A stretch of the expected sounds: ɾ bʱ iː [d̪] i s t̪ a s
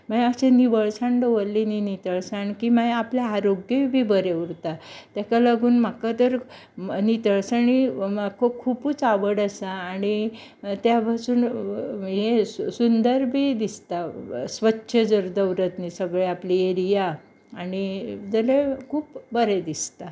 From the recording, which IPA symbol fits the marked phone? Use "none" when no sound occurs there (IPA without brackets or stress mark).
d̪